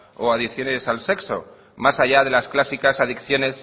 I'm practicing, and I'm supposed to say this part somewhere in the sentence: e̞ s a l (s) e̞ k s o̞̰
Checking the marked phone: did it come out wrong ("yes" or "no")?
no